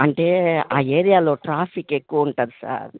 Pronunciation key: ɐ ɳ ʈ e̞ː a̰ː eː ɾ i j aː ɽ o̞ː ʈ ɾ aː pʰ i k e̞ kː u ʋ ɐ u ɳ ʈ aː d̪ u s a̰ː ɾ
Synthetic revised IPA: ɐ ɳ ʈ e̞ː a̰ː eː ɾ i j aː l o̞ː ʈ ɾ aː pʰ i k e̞ kː u ʋ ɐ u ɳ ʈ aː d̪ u s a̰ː ɾ